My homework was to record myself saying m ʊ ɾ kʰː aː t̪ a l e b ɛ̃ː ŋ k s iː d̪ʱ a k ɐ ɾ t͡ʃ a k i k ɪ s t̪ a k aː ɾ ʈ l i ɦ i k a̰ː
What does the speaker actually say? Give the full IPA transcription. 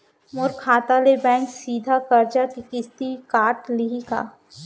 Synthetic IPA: m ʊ ɾ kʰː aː t̪ a l e b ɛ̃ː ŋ k s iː d̪ʱ a k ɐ ɾ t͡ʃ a k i k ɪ s t̪ i k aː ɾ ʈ l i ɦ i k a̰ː